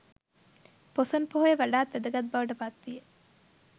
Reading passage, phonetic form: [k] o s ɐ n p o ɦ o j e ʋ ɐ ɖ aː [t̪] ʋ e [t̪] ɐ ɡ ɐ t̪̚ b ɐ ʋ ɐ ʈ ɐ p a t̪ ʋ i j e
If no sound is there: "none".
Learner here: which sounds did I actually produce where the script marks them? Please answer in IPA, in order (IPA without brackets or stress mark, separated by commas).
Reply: p, t̪, d̪